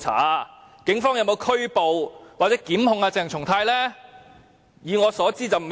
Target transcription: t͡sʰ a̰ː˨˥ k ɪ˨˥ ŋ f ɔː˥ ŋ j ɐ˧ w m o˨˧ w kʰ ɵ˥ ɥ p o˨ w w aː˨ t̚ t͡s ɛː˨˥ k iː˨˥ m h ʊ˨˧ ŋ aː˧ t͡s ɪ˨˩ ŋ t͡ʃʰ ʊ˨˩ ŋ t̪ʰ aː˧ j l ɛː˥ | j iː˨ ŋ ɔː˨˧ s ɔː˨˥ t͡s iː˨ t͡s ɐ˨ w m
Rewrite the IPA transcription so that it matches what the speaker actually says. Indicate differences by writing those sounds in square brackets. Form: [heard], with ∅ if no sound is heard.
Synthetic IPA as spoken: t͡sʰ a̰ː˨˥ k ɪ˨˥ ŋ f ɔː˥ ŋ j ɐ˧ w m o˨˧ w kʰ ɵ˥ ɥ p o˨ w w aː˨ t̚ t͡s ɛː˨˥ k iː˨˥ m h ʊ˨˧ ŋ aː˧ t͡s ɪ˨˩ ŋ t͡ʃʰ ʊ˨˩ ŋ t̪ʰ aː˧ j l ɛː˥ | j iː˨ ŋ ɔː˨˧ s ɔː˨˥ t͡s [iː˥] t͡s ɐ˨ w m

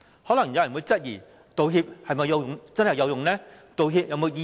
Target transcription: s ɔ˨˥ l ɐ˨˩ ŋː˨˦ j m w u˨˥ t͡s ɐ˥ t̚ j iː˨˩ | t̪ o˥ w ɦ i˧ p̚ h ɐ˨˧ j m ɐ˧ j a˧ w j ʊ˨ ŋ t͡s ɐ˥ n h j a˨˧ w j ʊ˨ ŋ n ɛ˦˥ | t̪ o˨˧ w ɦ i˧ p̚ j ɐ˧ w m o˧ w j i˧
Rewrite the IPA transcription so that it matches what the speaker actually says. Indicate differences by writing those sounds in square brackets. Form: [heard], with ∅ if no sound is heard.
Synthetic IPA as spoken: [h] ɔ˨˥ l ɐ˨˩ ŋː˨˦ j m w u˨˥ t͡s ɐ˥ t̚ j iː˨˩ | t̪ [o˨˧] w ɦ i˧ p̚ h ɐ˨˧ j m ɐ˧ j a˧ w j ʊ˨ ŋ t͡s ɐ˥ n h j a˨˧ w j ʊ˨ ŋ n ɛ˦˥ | t̪ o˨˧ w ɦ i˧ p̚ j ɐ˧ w m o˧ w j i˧

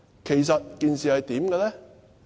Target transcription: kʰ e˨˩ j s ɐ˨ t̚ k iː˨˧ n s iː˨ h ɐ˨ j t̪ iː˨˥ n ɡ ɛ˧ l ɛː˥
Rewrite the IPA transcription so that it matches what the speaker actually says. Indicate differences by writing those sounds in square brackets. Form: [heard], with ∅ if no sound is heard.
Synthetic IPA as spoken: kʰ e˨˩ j s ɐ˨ t̚ k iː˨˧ n s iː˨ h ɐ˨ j t̪ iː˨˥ [m] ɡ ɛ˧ l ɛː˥

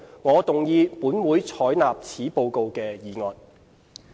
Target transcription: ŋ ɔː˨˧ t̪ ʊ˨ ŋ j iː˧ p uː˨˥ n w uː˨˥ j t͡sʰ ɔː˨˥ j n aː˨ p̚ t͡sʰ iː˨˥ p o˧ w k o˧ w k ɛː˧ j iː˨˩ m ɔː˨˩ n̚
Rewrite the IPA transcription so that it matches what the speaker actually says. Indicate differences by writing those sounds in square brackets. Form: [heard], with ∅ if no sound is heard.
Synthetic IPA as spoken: ŋ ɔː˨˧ t̪ ʊ˨ ŋ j iː˧ p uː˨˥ n w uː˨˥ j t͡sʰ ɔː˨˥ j n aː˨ p̚ t͡sʰ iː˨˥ p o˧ w k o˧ w k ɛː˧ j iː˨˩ [ŋ] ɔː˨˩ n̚

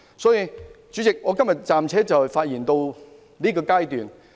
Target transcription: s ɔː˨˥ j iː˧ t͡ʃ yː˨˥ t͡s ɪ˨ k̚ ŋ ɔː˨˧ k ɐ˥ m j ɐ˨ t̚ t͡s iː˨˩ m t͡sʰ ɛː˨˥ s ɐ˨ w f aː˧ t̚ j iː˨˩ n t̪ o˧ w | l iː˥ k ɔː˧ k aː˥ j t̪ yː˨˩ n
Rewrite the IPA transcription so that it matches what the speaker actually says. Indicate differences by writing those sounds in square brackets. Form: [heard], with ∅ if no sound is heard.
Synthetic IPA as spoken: s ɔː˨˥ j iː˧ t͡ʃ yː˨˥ t͡s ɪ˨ k̚ ŋ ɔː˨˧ k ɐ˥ m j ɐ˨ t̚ t͡s [aː˨˩] m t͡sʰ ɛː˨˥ [t͡s] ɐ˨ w f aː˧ t̚ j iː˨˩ n t̪ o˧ w | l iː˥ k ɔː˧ k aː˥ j t̪ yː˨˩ n

